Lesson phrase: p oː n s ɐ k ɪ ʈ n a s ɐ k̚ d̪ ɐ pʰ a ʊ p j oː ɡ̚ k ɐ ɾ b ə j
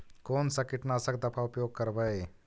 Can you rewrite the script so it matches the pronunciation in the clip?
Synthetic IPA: k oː n s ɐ k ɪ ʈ n a s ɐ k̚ d̪ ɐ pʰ a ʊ p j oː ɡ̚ k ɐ ɾ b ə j